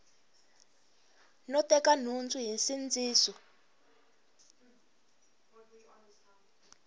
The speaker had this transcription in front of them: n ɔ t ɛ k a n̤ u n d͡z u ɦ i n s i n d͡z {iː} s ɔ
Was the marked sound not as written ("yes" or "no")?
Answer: no